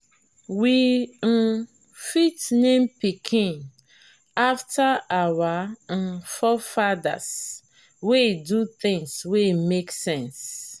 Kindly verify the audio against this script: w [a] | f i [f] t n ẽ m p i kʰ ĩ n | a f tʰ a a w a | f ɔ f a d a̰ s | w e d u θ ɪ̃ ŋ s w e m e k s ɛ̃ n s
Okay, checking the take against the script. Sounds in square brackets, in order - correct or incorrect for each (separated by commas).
incorrect, incorrect